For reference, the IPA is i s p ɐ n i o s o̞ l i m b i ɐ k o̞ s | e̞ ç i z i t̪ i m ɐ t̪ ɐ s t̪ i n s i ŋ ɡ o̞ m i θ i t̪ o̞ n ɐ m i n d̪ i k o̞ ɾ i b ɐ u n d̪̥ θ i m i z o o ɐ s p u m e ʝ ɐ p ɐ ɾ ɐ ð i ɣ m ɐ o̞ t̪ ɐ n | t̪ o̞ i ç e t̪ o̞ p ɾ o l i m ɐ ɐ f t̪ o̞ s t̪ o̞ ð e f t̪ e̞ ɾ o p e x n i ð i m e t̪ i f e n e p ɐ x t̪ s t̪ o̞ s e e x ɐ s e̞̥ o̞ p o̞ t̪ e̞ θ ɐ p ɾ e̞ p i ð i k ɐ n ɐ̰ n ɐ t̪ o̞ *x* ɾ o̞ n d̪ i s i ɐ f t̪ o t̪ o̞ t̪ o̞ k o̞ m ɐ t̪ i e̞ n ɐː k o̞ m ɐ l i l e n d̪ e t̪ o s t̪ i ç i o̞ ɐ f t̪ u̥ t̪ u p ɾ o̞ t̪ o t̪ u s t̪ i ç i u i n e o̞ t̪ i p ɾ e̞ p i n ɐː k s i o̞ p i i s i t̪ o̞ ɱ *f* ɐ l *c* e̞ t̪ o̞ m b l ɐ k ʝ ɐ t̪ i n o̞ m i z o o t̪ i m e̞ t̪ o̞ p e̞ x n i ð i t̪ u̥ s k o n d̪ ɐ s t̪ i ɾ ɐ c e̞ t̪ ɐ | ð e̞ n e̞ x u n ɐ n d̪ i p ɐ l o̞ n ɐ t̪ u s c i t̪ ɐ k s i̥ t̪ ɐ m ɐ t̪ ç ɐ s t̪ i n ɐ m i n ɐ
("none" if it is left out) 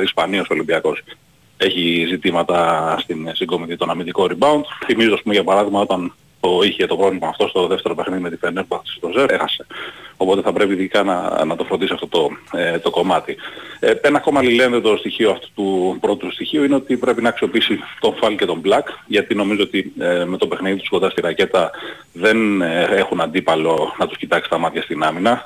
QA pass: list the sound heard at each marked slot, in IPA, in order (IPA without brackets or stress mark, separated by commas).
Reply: f, f, c